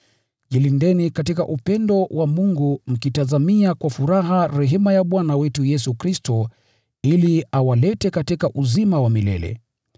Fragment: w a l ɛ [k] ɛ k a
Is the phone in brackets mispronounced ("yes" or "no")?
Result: yes